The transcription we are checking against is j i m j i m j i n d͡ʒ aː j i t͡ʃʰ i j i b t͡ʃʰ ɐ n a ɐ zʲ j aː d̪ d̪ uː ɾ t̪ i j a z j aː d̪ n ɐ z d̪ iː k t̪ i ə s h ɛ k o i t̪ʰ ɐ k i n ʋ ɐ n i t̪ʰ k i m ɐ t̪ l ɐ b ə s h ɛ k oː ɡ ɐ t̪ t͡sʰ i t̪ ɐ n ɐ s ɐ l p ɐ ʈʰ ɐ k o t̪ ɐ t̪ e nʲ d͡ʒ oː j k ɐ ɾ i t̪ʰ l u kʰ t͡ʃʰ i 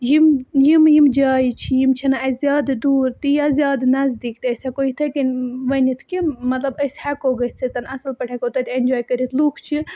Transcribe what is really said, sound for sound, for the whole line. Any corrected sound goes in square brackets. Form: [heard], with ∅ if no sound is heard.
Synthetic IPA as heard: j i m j i m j i [m] d͡ʒ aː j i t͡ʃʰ i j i [m] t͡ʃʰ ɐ n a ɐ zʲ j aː d̪ d̪ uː ɾ t̪ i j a z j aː d̪ n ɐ z d̪ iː k t̪ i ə s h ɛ k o i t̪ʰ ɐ k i n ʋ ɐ n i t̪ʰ k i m ɐ t̪ l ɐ b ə s h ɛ k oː ɡ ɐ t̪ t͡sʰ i t̪ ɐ n ɐ s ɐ l p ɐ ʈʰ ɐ k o t̪ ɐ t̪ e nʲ d͡ʒ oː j k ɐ ɾ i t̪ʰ l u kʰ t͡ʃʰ i